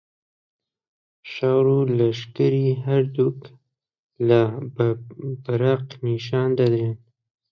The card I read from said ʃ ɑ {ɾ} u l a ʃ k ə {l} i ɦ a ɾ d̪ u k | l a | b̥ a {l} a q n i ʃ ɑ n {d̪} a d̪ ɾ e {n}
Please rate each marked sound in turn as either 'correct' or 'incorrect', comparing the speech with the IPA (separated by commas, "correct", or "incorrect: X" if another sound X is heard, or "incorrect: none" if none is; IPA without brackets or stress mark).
correct, incorrect: ɾ, incorrect: ɾ, correct, correct